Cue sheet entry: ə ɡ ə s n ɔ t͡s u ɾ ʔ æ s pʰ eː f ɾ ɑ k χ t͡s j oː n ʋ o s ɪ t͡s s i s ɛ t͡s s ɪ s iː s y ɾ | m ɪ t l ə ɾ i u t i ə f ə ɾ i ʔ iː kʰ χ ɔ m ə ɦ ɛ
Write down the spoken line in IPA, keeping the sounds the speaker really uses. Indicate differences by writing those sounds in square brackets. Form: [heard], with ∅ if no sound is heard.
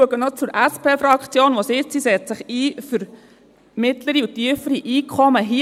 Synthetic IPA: ə ɡ ə [∅] n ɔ t͡s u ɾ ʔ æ s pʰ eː f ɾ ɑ k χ t͡s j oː n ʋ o s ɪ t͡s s i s ɛ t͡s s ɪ [χ] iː [f] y ɾ | m ɪ t l ə ɾ i u t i ə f ə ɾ i ʔ iː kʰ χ ɔ m ə ɦ [i]